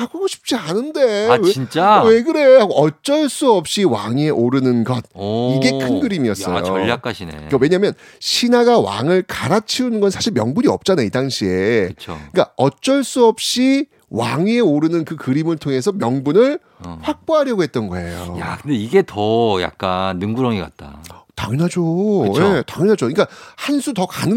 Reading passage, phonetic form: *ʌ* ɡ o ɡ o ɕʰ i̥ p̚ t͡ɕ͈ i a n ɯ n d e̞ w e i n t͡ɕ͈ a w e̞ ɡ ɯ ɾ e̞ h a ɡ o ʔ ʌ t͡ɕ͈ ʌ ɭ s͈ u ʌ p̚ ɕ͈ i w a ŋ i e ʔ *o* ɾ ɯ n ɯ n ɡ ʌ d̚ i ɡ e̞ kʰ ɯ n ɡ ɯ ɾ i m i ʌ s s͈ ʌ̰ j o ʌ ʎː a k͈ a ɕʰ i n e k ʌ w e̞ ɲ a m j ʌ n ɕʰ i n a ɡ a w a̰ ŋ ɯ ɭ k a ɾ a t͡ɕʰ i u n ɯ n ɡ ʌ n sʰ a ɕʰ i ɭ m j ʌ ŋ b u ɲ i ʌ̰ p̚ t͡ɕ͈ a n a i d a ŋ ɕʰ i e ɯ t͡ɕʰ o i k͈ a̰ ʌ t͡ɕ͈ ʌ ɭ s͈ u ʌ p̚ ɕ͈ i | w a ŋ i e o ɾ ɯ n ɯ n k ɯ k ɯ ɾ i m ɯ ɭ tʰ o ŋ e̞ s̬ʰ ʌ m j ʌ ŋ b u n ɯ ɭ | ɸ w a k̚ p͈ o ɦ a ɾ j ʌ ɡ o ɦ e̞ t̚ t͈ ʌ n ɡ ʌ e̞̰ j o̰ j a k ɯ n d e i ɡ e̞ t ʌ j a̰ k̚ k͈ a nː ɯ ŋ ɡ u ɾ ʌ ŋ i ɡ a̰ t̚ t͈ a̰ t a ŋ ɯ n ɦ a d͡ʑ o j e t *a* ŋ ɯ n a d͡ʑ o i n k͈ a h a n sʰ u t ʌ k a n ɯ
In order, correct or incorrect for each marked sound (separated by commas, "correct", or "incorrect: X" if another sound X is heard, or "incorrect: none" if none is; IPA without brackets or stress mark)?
incorrect: a, correct, correct